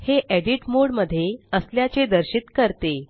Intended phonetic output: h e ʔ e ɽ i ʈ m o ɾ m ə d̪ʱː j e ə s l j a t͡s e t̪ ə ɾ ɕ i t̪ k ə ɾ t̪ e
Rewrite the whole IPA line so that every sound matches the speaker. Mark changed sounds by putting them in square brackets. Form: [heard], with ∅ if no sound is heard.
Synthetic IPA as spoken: h e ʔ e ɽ i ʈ m o [ɽ] m ə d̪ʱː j e ə s l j a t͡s e [d̪] ə ɾ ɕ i t̪ k ə ɾ t̪ e